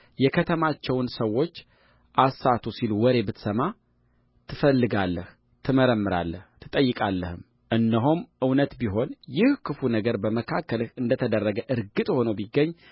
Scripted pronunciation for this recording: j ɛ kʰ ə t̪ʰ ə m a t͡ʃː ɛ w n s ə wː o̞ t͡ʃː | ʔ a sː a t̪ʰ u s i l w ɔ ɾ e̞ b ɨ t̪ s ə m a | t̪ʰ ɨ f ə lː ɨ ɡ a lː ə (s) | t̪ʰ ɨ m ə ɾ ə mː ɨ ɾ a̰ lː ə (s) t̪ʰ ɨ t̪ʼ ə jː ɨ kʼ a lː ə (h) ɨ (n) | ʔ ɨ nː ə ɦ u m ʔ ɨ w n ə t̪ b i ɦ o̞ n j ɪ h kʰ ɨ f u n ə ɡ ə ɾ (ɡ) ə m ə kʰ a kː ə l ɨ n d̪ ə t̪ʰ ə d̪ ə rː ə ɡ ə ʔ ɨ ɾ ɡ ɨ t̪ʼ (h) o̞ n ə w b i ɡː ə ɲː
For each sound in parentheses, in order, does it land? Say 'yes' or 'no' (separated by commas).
no, no, yes, no, no, yes